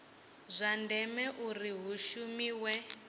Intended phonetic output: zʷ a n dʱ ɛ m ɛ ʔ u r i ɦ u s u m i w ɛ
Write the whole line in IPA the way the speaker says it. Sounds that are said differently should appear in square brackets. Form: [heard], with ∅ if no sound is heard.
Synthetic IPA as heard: zʷ a n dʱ ɛ m ɛ ʔ u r i ɦ u [ʃ] u m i w ɛ

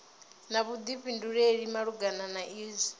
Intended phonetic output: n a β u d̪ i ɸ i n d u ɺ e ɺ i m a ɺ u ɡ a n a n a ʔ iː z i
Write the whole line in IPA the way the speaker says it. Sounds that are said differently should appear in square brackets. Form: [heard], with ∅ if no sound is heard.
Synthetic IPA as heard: n a β u d̪ i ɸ i n d u ɺ e ɺ i m a ɺ u ɡ a n a n a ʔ iː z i

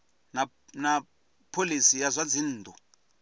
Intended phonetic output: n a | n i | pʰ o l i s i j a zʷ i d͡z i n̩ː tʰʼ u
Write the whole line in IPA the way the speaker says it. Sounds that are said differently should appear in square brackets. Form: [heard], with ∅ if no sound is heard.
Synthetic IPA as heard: n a | n [a] | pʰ o l i s i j a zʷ [a] d͡z i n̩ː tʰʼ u

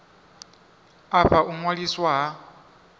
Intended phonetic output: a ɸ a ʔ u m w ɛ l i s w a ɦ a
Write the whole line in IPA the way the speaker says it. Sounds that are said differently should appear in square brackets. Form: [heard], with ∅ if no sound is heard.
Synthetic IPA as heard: a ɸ a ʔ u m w [a] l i s w a ɦ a

